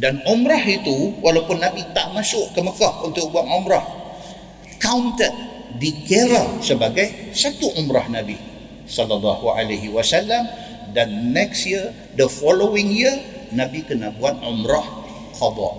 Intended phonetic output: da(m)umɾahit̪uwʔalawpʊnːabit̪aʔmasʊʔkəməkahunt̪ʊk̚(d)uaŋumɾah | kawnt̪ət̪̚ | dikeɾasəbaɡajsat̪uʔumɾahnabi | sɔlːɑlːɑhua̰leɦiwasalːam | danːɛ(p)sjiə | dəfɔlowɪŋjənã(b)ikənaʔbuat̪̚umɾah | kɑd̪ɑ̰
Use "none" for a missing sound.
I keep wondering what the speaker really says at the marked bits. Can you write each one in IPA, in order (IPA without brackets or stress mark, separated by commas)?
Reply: n, b, k, b